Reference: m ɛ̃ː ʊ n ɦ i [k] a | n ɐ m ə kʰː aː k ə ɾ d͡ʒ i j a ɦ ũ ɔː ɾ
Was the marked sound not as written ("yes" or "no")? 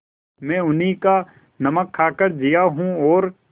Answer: no